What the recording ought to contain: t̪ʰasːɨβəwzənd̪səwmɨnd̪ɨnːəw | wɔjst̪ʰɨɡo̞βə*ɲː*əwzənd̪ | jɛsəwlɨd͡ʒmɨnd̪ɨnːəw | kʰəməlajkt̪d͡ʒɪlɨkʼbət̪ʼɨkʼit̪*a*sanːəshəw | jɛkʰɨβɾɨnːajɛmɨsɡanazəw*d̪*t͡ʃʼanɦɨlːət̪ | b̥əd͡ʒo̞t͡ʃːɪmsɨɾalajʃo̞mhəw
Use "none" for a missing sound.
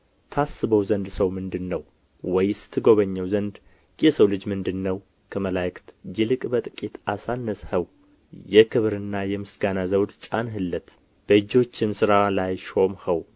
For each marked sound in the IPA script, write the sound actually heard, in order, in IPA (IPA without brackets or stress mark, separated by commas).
ɲː, a, d̪